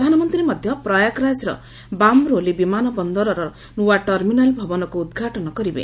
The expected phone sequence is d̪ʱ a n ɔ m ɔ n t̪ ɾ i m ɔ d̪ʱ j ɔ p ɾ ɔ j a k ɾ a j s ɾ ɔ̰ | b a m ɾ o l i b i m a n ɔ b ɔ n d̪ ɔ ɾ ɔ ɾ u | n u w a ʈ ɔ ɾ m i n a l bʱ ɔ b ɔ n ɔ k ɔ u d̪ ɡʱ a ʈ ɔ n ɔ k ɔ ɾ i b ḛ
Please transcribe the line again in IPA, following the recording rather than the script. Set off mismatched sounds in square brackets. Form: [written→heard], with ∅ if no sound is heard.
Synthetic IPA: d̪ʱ a n ɔ m ɔ n t̪ ɾ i m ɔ d̪ʱ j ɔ p ɾ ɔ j a k ɾ a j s ɾ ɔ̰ | b a m ɾ o l i b i m a n ɔ b ɔ n d̪ ɔ ɾ ɔ ɾ [u→ɔ] | n u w a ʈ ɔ ɾ m i n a l bʱ ɔ b ɔ n ɔ k [ɔ→u] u d̪ ɡʱ a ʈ ɔ n ɔ k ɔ ɾ i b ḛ